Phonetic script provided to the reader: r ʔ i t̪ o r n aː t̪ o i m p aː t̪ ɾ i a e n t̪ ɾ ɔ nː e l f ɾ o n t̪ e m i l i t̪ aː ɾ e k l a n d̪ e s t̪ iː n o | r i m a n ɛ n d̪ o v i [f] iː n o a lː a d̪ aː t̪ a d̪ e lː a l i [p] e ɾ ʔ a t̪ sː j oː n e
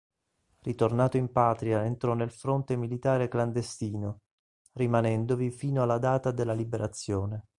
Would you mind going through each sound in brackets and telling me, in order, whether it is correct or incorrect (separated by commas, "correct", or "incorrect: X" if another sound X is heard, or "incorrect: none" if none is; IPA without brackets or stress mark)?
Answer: correct, incorrect: b